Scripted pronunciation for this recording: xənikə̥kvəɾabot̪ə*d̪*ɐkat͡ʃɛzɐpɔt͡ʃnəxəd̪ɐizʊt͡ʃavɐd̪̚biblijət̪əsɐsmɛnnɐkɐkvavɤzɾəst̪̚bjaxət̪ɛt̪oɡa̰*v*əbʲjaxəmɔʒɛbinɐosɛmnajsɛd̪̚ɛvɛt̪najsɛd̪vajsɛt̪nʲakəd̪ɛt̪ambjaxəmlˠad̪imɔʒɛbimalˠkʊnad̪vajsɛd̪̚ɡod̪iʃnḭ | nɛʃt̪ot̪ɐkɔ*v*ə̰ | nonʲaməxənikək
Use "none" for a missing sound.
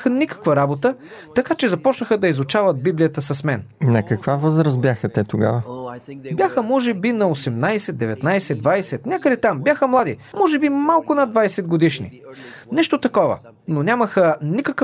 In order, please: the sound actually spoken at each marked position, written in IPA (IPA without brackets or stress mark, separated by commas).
t̪, v, v